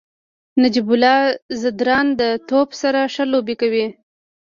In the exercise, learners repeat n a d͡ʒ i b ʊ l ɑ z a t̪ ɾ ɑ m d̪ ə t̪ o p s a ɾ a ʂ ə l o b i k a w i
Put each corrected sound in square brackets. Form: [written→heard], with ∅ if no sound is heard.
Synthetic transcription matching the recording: n a d͡ʒ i b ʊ l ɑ z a [t̪→d̪] ɾ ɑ [m→n] d̪ ə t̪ o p s a ɾ a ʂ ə l o b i k a w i